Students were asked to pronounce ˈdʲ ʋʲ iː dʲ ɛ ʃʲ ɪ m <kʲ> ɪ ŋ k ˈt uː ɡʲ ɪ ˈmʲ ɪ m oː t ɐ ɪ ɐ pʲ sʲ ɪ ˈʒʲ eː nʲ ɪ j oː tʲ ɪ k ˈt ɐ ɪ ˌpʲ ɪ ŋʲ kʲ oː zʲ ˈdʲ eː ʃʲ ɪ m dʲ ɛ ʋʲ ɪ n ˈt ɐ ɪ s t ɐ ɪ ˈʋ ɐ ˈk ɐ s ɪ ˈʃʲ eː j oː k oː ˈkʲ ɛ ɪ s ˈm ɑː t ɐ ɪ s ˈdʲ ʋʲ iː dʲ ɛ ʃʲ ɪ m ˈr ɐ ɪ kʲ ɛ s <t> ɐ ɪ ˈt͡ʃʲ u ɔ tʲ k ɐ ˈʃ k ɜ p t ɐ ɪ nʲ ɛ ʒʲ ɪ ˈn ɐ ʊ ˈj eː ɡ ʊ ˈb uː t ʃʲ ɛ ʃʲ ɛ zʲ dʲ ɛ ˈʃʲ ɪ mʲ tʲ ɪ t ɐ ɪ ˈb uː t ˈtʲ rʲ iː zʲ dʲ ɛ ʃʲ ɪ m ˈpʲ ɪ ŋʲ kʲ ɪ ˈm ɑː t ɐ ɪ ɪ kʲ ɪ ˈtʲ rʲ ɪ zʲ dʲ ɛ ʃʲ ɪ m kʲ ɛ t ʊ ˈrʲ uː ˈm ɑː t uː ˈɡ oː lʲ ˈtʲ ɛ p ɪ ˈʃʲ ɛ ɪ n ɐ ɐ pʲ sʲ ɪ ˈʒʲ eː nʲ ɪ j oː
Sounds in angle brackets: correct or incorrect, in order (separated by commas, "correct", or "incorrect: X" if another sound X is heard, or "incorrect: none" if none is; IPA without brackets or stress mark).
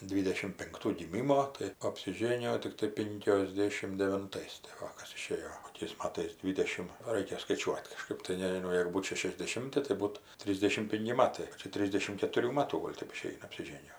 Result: incorrect: pʲ, incorrect: k